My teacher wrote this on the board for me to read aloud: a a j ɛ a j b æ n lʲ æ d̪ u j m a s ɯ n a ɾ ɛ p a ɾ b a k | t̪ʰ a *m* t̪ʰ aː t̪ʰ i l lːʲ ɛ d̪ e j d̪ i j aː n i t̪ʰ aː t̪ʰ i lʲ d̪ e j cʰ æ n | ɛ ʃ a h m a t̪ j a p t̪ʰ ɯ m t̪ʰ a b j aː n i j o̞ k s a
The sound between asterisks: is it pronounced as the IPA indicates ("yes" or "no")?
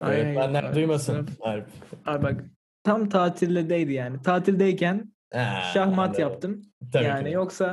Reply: yes